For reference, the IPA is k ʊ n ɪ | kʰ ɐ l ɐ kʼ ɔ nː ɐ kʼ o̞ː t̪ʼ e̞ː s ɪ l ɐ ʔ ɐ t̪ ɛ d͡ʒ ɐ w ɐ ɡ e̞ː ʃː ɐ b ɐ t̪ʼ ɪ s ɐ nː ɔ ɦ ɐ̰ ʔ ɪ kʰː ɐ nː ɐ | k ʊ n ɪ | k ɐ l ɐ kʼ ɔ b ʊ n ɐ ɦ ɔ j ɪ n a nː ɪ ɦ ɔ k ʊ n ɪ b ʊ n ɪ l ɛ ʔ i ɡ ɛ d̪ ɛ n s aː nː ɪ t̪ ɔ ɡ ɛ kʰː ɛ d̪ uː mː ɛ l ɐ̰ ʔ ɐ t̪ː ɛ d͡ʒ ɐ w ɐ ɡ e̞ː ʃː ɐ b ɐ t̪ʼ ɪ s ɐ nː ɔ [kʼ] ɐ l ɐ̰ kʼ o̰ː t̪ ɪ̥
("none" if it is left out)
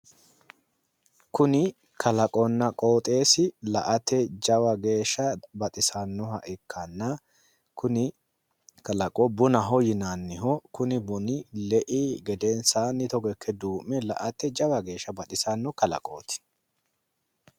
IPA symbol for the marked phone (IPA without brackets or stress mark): k